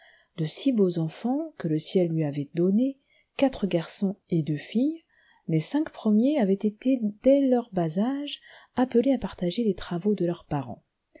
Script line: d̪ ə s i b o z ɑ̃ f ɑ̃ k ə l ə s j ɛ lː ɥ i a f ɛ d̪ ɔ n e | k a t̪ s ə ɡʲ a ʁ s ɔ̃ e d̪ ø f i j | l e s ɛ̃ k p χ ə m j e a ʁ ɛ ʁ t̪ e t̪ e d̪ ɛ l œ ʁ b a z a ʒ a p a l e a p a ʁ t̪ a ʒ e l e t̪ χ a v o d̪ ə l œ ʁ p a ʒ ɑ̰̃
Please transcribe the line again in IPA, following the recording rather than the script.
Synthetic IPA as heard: d̪ ə s i b o z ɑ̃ f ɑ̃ k ə l ə s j ɛ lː ɥ i a v ɛ d̪ ɔ n e | k a t̪ χ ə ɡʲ a ʁ s ɔ̃ e d̪ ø f i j | l e s ɛ̃ k p χ ə m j e a v ɛ t̪ e t̪ e d̪ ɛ l œ ʁ b a z a ʒ a p ə l e a p a ʁ t̪ a ʒ e l e t̪ χ a v o d̪ ə l œ ʁ p a ʁ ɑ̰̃